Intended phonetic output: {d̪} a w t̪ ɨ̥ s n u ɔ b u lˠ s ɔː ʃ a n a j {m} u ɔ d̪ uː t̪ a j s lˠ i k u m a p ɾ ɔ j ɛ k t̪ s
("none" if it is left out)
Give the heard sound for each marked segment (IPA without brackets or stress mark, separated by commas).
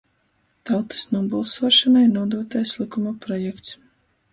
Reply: t̪, n